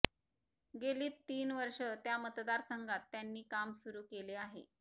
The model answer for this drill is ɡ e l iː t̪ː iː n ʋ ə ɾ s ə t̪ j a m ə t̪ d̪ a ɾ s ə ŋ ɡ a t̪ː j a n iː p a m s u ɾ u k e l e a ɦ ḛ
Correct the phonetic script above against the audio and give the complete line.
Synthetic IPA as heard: ɡ e l iː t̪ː iː n ʋ ə ɾ ʂ ə t̪ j a m ə t̪ d̪ a ɾ s ə ŋ ɡ a t̪ː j a nː iː k a m s u ɾ uː k e l e a ɦ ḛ